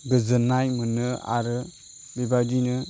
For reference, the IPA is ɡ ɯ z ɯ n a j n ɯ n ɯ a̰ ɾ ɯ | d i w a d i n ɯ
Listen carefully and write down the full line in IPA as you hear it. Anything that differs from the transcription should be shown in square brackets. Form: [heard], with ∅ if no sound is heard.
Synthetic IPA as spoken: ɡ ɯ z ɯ n a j [m] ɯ n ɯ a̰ ɾ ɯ | [b] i [b] a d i n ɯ